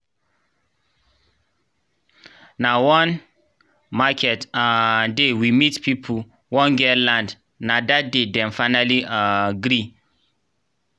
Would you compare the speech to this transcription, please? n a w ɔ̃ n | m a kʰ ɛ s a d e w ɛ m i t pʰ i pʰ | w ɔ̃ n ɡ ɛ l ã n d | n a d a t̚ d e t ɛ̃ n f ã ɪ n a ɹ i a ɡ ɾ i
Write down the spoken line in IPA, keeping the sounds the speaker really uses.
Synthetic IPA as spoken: n a w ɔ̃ n | m a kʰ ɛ t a d e w i m i t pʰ i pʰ | w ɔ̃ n ɡ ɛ l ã n d | n a d a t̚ d e d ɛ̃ n f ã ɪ n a l i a ɡ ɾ i